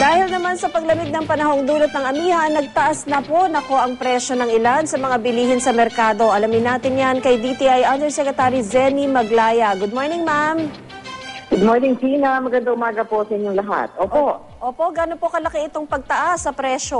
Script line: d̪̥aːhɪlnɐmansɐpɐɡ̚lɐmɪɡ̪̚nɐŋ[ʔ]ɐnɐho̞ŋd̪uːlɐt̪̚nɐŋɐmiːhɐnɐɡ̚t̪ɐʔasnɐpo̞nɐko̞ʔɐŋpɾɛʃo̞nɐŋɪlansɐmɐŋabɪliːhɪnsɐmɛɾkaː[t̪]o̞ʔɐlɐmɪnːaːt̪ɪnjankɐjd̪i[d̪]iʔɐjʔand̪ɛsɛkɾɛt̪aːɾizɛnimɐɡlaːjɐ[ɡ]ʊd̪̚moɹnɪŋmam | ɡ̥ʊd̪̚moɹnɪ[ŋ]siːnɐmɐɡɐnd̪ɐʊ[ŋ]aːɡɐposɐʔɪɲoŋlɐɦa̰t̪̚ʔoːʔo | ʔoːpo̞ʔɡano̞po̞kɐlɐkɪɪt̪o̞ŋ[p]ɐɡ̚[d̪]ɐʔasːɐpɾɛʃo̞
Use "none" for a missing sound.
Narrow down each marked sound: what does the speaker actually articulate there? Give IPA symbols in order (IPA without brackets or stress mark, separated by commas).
p, d̪, t̪, ɡ, ŋ, m, p, t̪